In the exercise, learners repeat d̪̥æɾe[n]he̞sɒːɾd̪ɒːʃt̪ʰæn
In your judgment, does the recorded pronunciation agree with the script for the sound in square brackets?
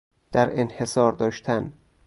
yes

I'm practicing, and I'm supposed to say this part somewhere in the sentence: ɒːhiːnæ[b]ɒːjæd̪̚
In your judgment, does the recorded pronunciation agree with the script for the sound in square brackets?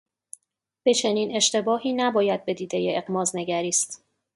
yes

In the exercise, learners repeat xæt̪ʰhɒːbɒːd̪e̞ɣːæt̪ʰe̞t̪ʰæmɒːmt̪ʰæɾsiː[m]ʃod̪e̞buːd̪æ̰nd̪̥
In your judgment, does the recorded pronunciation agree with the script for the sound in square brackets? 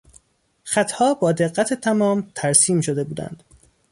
yes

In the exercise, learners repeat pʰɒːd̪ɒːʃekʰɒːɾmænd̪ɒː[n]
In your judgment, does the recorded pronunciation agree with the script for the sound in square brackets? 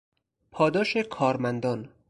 yes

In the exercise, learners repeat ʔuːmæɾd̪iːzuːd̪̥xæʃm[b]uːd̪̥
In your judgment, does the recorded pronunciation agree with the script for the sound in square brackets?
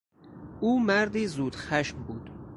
yes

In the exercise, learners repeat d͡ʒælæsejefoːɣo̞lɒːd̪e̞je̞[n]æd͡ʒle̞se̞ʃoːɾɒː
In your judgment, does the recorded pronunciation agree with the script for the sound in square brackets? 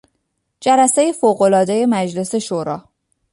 no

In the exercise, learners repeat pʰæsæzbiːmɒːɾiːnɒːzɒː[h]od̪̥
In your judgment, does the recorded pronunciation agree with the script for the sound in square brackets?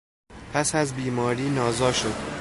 no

